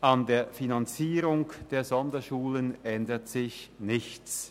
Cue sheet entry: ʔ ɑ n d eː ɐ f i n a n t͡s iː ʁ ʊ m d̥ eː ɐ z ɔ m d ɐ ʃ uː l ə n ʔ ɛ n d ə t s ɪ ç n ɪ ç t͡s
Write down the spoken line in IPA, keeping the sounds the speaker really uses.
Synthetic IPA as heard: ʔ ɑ n d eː ɐ f i n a n t͡s iː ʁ ʊ ŋ d̥ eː ɐ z ɔ n d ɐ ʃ uː l ə n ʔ ɛ n d ə t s ɪ ç n ɪ ç t͡s